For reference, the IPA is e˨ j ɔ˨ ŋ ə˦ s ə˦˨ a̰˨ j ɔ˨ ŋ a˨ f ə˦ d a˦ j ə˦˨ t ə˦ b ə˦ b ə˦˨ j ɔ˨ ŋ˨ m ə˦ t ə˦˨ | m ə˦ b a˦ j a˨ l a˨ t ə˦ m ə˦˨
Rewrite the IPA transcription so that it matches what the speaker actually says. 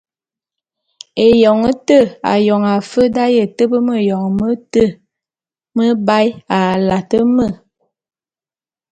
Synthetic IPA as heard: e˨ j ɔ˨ ŋ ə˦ t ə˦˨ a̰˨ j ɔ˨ ŋ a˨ f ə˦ d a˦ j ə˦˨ t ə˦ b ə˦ m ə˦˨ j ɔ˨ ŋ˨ m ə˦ t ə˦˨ | m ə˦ b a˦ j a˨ l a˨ t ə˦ m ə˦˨

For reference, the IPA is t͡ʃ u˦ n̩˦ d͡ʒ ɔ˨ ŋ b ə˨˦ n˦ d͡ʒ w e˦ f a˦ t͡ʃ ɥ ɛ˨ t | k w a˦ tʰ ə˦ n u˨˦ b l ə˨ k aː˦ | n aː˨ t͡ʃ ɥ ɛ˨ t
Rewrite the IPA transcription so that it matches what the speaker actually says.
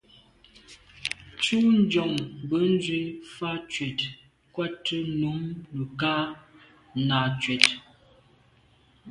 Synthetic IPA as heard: t͡ʃ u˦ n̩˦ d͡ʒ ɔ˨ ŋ b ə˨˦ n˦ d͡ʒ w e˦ f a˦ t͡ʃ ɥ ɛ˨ t | k w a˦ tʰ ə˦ n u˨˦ m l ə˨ k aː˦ | n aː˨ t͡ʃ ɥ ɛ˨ t

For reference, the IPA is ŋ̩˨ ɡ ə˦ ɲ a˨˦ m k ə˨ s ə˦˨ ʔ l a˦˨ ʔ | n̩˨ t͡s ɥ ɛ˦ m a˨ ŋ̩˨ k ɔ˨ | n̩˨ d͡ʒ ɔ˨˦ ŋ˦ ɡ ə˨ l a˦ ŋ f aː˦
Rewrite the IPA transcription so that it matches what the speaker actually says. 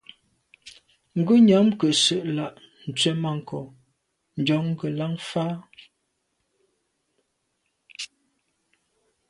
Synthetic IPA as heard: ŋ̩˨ ɡ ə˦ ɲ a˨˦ m k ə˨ s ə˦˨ ʔ l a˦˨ ʔ | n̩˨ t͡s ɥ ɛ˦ m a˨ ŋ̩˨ k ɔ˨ | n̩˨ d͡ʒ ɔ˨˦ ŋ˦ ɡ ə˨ l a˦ ŋ f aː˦

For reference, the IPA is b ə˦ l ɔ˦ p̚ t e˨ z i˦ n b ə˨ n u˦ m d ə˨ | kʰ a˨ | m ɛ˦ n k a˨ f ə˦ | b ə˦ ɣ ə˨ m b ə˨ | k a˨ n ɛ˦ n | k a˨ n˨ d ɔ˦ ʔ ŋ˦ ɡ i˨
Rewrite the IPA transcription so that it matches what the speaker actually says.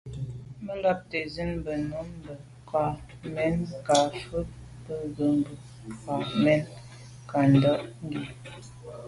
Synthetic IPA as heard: m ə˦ l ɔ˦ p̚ t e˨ z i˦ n b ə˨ n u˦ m b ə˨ | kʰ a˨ | m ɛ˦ n k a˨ f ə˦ | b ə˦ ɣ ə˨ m b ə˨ | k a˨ m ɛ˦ n | k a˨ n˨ d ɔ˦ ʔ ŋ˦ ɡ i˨

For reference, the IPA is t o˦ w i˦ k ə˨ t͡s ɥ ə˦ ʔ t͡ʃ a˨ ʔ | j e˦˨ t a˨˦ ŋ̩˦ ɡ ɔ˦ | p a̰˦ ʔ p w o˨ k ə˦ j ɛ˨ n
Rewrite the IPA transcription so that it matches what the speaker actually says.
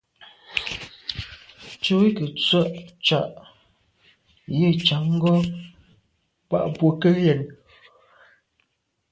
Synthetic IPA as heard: t͡ʃ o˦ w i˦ k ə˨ t͡s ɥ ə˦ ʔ t͡ʃ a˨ ʔ | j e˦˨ t͡ʃ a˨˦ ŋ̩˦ ɡ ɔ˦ | p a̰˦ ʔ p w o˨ k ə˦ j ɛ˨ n

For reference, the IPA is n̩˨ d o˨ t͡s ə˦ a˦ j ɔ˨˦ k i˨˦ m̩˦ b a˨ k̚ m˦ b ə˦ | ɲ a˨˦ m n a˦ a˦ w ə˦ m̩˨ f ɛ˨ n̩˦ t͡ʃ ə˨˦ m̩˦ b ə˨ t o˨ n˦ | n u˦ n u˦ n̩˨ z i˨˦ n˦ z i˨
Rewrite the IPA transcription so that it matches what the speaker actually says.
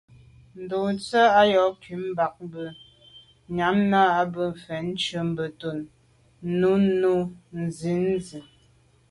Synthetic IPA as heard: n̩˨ d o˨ t͡s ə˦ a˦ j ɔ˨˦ k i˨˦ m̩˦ b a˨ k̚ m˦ b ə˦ | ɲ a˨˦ m n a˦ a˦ b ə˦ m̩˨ f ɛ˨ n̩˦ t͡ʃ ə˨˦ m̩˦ b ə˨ t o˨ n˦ | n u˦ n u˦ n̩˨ z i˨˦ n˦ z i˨

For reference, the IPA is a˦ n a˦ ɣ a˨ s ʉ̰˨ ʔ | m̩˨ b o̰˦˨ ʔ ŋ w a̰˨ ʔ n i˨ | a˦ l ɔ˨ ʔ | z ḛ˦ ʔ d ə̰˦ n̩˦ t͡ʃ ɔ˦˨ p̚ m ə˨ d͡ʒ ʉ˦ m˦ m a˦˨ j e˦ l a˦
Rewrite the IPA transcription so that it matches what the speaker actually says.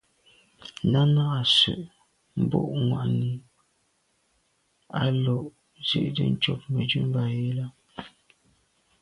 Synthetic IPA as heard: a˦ n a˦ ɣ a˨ s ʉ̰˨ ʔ | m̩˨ b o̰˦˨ ʔ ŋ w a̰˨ ʔ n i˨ | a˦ l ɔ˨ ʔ | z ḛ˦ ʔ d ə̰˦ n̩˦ t͡ʃ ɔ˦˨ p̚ m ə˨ d͡ʒ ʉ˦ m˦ b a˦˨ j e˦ l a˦

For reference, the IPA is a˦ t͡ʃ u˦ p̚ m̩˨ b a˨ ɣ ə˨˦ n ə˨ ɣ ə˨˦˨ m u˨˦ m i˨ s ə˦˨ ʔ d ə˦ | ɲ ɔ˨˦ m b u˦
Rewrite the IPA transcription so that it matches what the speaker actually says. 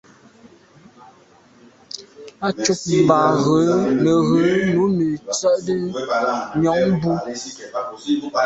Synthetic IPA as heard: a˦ t͡ʃ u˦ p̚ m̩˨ b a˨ ɣ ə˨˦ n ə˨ ɣ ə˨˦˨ n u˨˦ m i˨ t͡s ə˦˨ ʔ d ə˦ | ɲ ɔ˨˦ ŋ b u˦

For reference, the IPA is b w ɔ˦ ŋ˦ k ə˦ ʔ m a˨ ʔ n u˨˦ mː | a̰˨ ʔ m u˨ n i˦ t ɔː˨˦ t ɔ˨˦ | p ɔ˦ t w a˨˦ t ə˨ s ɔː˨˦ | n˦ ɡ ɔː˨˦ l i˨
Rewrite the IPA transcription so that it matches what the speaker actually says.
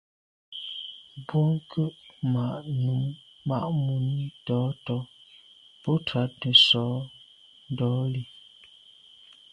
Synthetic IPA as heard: b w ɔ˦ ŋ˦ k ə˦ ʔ m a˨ ʔ n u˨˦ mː | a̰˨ ʔ m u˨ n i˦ t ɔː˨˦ t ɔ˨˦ | p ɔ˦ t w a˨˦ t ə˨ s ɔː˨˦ | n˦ d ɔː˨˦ l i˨

